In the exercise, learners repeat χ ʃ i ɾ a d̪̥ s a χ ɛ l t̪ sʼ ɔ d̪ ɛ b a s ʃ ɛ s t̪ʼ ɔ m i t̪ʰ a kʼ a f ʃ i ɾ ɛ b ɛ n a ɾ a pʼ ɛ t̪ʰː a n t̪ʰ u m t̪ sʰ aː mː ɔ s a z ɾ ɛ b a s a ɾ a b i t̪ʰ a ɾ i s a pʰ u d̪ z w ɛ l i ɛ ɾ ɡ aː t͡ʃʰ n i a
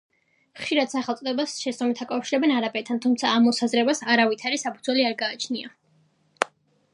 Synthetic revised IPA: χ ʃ i ɾ a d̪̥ s a χ ɛ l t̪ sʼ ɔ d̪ ɛ b a s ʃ ɛ s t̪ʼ ɔ m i t̪ʰ a kʼ a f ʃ i ɾ ɛ b ɛ n a ɾ a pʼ ɛ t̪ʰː a n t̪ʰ u m t̪ sʰ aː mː ɔ s a z ɾ ɛ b a s a ɾ a v i t̪ʰ a ɾ i s a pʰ u d̪ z w ɛ l i a ɾ ɡ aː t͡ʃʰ n i a